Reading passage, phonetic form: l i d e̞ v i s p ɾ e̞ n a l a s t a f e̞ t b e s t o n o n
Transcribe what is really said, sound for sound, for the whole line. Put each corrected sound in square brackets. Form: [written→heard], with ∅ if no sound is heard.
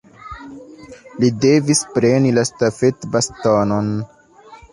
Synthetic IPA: l i d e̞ v i s p ɾ e̞ n [a→i] l a s t a f e̞ t b [e→a] s t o n o n

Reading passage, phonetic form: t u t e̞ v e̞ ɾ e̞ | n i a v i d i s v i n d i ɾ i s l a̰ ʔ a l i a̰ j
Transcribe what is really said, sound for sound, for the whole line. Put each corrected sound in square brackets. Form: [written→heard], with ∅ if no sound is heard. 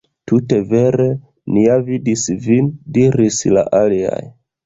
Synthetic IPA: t u t e̞ v e̞ ɾ e̞ | n i a v i d i s v i n d i ɾ i s l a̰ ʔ a l i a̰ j

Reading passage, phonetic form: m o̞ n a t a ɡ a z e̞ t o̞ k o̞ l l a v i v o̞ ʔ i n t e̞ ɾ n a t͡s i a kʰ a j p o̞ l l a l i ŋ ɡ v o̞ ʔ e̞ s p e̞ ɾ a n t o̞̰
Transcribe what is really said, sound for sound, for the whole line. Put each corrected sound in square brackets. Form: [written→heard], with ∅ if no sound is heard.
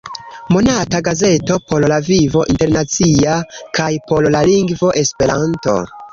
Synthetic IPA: m o̞ n a t a ɡ a z e̞ t o̞ [k→p] o̞ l l a v i v o̞ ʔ i n t e̞ ɾ n a t͡s i a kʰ a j p o̞ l l a l i ŋ ɡ v o̞ ʔ e̞ s p e̞ ɾ a n t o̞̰

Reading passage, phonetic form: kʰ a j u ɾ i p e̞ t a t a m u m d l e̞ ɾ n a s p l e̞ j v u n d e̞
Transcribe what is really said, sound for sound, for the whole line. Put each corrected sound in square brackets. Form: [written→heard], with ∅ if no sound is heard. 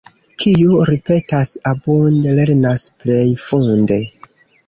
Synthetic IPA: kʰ [a→i] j u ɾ i p e̞ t a [t→s] a [m→b] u [m→n] d l e̞ ɾ n a s p l e̞ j [v→f] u n d e̞

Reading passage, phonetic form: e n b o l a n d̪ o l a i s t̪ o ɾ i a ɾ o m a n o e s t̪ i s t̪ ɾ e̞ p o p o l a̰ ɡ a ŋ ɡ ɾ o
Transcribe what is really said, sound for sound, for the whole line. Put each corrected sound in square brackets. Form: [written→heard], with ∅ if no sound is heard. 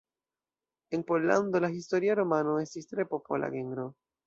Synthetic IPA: e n [b→p] o l a n d̪ o l a i s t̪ o ɾ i a ɾ o m a n o e s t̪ i s t̪ ɾ e̞ p o p o l a̰ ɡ [a→e] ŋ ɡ ɾ o

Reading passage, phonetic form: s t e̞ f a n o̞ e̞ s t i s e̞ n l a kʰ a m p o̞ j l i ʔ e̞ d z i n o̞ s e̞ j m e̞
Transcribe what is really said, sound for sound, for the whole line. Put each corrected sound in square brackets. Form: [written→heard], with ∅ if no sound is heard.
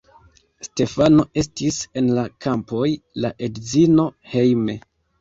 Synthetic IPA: s t e̞ f a n o̞ e̞ s t i s e̞ n l a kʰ a m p o̞ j l [i→a] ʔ e̞ d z i n o̞ [s→h] e̞ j m e̞

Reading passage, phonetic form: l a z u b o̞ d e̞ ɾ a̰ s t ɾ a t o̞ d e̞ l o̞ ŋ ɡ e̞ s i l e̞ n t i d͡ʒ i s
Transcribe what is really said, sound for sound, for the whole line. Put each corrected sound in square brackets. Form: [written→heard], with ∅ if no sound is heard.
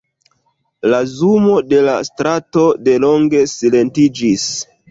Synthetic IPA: l a z u [b→m] o̞ d e̞ [ɾ→l] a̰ s t ɾ a t o̞ d e̞ l o̞ ŋ ɡ e̞ s i l e̞ n t i d͡ʒ i s

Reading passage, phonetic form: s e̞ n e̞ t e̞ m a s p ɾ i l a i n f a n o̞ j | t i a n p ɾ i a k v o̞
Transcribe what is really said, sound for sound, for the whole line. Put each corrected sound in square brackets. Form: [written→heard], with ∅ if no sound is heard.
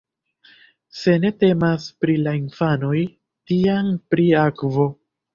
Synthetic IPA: s e̞ n e̞ t e̞ m a s p ɾ i l a i n f a n o̞ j | t i a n p ɾ i a k v o̞

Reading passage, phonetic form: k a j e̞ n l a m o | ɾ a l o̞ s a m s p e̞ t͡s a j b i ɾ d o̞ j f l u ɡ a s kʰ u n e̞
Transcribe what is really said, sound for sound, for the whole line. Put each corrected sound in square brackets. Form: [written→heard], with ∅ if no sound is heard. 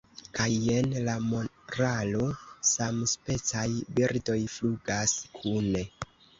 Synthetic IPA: k a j e̞ n l a m o | ɾ a l o̞ s a m s p e̞ t͡s a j b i ɾ d o̞ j f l u ɡ a s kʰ u n e̞

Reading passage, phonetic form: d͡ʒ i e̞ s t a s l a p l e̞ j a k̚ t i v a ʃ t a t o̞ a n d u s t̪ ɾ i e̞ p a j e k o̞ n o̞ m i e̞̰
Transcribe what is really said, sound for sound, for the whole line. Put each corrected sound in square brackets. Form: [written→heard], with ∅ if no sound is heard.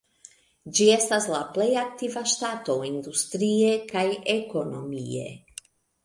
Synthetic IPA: d͡ʒ i e̞ s t a s l a p l e̞ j a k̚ t i v a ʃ t a t o̞ [a→i] n d u s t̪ ɾ i e̞ [p→k] a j e k o̞ n o̞ m i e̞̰

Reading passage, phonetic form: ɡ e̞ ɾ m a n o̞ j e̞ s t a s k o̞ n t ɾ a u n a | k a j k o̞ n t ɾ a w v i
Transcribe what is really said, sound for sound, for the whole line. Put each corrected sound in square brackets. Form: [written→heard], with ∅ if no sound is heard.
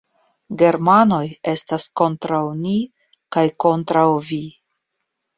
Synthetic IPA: ɡ e̞ ɾ m a n o̞ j e̞ s t a s k o̞ n t ɾ a [u→w] n [a→i] | k a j k o̞ n t ɾ a w v i

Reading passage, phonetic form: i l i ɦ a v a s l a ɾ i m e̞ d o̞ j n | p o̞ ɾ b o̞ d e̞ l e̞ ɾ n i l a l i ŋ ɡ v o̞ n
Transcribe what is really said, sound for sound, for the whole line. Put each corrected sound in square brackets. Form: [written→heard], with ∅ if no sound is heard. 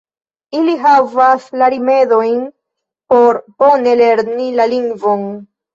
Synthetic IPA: i l i ɦ a v a s l a ɾ i m e̞ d o̞ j n | p o̞ ɾ b o̞ [d→n] e̞ l e̞ ɾ n i l a l i ŋ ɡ v o̞ n

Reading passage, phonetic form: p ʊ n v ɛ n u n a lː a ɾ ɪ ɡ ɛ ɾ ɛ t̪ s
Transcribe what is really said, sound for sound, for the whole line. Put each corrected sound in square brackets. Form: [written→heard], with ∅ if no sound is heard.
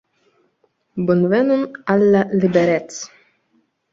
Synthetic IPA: [p→b] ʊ n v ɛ n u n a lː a [ɾ→l] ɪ [ɡ→b] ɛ ɾ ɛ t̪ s

